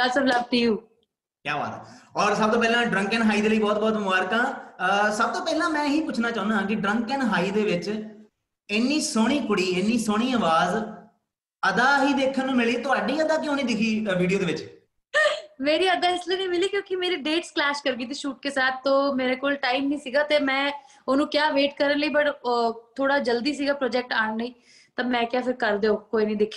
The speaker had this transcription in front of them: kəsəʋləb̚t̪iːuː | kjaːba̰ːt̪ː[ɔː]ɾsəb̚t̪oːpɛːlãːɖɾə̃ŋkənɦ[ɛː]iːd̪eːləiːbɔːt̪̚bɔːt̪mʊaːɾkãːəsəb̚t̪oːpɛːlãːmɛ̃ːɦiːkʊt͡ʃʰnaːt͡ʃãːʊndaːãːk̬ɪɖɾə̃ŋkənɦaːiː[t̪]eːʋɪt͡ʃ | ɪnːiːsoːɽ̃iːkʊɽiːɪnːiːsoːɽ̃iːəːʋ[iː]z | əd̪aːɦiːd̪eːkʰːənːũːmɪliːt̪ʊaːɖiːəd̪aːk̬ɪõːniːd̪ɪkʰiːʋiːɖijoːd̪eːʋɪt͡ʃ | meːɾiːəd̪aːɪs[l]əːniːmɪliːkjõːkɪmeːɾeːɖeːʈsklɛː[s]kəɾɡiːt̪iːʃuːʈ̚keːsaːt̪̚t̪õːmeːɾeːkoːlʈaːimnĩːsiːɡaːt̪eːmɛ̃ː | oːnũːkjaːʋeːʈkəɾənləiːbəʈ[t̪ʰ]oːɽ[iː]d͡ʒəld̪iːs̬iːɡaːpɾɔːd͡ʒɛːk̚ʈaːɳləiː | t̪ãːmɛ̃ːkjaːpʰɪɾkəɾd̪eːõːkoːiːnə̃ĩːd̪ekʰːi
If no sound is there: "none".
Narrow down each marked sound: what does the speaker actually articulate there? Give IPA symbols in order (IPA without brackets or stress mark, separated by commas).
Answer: ɔː, aː, d̪, aː, l, ʃ, t̪ʰ, aː